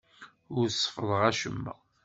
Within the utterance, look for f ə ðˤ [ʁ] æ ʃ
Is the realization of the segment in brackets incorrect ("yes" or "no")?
no